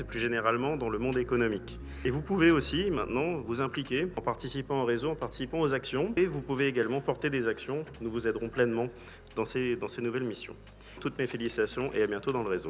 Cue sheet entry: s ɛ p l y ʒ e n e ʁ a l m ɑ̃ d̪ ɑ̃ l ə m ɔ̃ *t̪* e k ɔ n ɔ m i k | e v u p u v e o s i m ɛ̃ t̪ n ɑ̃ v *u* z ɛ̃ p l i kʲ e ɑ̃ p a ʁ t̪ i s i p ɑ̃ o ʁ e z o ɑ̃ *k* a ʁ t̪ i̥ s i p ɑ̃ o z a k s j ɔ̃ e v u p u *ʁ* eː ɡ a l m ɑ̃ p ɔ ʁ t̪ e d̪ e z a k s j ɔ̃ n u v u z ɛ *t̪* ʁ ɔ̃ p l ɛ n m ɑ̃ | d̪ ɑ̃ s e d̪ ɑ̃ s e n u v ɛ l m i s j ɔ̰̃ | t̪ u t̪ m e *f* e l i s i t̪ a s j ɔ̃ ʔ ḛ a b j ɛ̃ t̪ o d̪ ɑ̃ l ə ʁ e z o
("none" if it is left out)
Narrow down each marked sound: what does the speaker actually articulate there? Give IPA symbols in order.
d̪, u, p, v, d̪, f

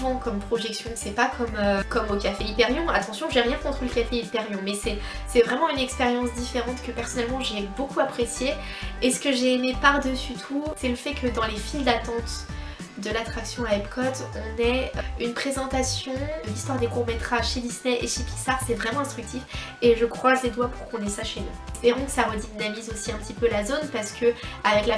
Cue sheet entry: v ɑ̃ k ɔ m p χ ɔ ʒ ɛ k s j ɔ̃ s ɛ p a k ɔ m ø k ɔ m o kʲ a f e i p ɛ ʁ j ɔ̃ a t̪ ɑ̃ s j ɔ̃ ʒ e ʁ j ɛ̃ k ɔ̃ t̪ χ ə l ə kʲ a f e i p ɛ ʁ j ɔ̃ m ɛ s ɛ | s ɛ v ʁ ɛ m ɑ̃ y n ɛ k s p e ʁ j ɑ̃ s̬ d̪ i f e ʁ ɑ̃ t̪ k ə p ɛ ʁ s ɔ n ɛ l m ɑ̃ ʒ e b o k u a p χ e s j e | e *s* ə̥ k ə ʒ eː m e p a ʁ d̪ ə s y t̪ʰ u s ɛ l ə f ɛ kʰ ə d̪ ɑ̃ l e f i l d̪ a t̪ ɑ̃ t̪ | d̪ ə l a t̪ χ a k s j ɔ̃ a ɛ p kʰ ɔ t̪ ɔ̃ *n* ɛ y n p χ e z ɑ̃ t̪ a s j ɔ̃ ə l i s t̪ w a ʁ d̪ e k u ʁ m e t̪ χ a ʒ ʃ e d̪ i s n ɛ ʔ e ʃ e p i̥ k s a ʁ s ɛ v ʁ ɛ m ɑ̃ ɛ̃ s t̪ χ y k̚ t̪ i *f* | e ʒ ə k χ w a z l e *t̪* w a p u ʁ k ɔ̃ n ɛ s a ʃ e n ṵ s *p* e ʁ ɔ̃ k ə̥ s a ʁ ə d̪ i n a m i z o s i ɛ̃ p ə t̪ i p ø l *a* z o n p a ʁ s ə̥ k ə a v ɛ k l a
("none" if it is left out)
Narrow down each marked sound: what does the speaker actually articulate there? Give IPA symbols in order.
s, n, f, d̪, p, a

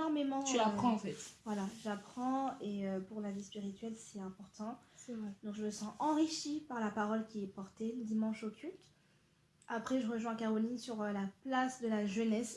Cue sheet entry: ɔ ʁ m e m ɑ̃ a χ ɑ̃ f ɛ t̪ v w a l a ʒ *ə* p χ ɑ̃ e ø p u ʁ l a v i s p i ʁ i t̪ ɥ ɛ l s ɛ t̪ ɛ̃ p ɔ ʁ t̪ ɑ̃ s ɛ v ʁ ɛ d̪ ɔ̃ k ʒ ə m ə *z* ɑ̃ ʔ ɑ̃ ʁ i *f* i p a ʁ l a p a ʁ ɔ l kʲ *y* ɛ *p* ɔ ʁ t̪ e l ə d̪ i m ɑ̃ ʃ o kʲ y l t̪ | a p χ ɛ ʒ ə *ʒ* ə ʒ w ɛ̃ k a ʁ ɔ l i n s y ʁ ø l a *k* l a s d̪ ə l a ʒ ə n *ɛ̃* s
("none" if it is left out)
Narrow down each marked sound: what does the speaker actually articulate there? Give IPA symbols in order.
a, s, ʃ, i, p, ʁ, p, ɛ

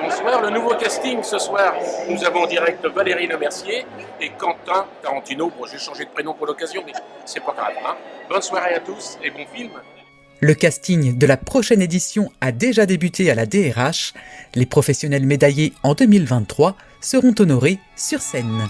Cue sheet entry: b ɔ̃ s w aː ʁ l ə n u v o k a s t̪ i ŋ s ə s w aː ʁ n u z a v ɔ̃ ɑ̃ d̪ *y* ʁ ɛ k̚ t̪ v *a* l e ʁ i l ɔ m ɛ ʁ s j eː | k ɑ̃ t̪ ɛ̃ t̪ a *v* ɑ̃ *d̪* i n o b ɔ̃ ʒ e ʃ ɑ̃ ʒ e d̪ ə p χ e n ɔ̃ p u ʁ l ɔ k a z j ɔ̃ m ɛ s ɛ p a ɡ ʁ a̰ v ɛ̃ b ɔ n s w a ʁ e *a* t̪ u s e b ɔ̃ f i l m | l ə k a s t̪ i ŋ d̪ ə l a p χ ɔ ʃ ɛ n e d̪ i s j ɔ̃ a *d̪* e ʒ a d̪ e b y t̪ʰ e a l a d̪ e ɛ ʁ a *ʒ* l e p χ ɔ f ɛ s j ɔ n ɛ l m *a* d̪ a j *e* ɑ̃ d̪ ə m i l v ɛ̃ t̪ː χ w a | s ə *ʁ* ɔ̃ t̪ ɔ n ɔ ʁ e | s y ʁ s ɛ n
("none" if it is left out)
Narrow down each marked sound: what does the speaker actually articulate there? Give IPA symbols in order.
i, a, ʁ, t̪, a, d̪, ʃ, e, e, ʁ

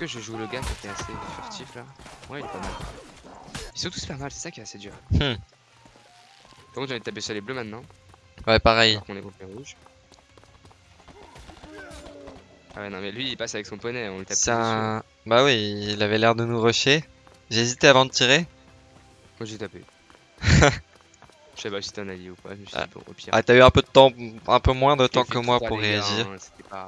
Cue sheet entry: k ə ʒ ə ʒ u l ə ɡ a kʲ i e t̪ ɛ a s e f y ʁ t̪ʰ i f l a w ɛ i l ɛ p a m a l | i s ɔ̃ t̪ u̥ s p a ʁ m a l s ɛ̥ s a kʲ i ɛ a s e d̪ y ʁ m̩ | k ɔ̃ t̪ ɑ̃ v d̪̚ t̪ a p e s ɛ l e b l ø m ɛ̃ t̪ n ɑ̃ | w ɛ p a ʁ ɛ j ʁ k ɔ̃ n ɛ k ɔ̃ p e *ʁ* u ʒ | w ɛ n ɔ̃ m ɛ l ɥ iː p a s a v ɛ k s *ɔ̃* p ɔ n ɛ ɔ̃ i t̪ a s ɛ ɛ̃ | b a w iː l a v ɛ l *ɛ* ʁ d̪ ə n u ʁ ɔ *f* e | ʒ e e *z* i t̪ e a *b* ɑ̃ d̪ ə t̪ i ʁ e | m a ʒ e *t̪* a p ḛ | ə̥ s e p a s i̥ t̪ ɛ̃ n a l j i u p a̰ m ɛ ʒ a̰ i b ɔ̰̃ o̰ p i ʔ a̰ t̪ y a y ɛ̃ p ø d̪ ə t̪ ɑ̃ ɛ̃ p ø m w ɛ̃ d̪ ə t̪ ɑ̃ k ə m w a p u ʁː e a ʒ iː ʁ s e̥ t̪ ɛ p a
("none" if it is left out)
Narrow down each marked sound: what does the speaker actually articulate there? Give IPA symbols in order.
ʁ, ɔ̃, ɛ, ʃ, z, v, t̪

